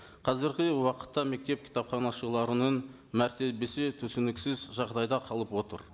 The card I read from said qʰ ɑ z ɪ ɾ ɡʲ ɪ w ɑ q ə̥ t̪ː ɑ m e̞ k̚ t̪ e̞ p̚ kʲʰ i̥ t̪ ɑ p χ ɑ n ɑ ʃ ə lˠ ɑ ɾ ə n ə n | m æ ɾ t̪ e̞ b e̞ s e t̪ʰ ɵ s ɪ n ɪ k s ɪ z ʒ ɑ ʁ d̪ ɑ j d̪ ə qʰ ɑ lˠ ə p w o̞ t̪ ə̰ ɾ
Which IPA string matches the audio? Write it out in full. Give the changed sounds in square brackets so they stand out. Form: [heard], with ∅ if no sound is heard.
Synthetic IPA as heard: qʰ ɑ z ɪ ɾ ɡʲ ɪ w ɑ q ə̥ t̪ː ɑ m e̞ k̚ t̪ e̞ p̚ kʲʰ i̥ t̪ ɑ p χ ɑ n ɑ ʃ ə lˠ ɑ ɾ ə n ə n | m æ ɾ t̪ e̞ b e̞ s e t̪ʰ ɵ s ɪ n ɪ k s ɪ z ʒ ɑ ʁ d̪ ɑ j d̪ [ɑ] qʰ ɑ lˠ ə p w o̞ t̪ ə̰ ɾ